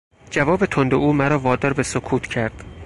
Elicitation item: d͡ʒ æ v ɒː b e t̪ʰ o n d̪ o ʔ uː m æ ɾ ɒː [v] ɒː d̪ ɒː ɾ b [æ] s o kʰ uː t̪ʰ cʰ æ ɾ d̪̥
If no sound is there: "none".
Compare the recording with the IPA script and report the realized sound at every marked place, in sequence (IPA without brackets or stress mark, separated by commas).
v, e